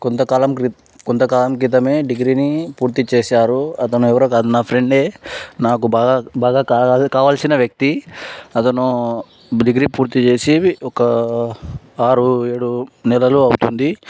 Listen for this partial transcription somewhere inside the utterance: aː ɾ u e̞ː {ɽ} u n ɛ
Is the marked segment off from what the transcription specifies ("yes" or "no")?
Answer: no